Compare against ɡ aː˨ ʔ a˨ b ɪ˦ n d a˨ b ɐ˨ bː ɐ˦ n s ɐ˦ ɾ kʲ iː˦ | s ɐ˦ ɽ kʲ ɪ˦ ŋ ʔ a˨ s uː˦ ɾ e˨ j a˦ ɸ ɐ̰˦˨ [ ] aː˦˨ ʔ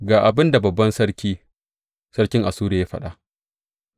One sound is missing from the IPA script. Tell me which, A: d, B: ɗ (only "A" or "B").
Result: B